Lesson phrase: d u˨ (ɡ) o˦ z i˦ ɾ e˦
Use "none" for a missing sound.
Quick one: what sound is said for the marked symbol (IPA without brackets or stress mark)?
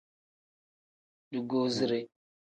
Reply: ɡ